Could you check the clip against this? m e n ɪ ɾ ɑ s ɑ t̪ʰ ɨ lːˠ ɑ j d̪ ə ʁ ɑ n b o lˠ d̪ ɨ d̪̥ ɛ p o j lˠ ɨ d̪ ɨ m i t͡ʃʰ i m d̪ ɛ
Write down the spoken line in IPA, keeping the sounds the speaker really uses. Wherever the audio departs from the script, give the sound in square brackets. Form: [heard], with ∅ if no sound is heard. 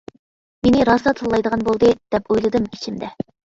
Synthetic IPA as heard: m e n ɪ ɾ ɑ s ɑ t̪ʰ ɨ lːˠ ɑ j d̪ ə ʁ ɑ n b o lˠ d̪ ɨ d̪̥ ɛ p o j lˠ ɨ d̪ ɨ m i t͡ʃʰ i m d̪ ɛ